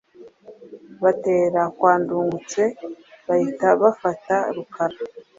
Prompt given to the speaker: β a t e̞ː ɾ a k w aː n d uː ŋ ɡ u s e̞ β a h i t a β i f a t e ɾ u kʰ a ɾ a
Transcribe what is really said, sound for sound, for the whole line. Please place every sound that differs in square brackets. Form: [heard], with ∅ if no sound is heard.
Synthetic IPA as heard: β a t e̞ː ɾ a k w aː n d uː ŋ ɡ u [t͡s] e̞ β a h i t a β [a] f a t [a] ɾ u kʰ a ɾ a